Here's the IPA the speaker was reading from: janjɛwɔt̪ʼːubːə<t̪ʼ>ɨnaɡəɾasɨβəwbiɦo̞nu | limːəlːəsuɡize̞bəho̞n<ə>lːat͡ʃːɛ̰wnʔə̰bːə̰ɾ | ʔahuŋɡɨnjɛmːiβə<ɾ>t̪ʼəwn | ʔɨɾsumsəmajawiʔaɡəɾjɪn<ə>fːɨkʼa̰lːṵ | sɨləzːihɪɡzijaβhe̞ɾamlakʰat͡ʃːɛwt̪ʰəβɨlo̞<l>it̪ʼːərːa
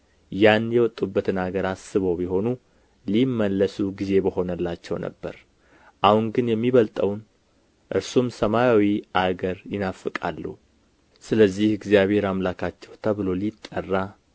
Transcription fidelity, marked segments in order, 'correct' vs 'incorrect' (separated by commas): incorrect, correct, incorrect, incorrect, correct